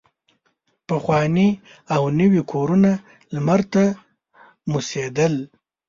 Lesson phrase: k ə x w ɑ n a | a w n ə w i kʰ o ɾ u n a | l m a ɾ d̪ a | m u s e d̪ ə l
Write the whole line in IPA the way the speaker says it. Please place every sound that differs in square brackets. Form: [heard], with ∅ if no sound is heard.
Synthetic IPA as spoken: [p] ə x w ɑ n [i] | a w n ə w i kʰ o ɾ u n a | l m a ɾ [t̪] a | m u s e d̪ ə l